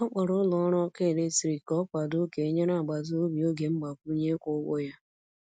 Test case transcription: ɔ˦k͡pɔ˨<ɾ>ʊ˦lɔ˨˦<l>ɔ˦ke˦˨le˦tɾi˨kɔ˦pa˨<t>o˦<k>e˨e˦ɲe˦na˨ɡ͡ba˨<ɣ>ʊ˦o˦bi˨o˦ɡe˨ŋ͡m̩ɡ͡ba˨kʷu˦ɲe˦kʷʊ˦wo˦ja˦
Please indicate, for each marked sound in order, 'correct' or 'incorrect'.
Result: correct, incorrect: ɾ, incorrect: d, correct, incorrect: z

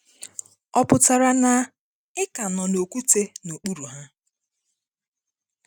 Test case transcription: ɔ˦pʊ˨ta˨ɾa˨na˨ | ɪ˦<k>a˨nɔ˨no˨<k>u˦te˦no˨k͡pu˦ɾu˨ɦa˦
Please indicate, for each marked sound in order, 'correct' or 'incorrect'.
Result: correct, correct

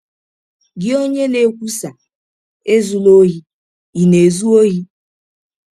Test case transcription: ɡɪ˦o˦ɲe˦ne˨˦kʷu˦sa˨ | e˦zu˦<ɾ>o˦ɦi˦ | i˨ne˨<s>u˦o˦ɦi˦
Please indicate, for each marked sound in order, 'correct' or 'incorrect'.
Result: incorrect: l, incorrect: z

